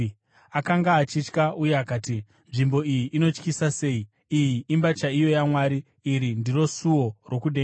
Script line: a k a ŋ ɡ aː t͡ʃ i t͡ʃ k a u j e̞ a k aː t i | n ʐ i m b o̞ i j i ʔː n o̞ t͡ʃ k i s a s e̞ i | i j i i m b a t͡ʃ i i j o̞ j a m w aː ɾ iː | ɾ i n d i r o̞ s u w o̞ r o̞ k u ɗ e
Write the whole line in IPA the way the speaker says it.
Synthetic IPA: a k a ŋ ɡ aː t͡ʃ i t͡ʃ k a u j e̞ a k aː t i | n ʐ i m b o̞ i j i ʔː n o̞ t͡ʃ k i s a s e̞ i | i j i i m b a t͡ʃ a i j o̞ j a m w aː ɾ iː | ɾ i n d i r o̞ s u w o̞ r o̞ k u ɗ e